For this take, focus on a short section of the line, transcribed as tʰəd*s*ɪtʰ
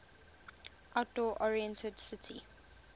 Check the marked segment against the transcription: correct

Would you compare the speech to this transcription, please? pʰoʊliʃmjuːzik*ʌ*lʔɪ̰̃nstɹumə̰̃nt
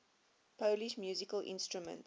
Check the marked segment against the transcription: incorrect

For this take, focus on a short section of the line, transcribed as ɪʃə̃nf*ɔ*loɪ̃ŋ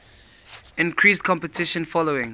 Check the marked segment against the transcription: correct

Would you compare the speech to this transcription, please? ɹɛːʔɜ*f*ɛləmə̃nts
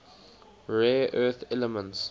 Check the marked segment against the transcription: incorrect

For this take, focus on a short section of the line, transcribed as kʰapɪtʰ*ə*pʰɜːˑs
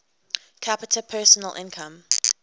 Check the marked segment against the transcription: correct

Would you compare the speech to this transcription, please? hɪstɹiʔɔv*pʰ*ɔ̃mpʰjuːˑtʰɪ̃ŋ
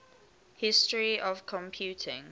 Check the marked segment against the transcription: incorrect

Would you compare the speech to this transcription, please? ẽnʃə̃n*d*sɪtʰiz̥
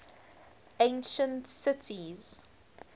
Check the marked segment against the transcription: incorrect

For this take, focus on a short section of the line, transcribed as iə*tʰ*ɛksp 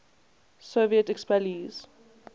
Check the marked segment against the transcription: incorrect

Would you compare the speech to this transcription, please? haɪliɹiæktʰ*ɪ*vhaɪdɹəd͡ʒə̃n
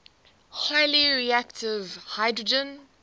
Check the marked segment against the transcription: correct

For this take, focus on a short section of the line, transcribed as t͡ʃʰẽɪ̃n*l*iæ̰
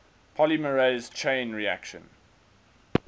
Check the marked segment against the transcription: incorrect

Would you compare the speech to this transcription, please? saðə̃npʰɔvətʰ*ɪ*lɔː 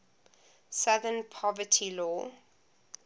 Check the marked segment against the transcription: incorrect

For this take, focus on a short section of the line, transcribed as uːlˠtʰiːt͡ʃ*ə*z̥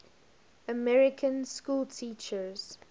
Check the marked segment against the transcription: correct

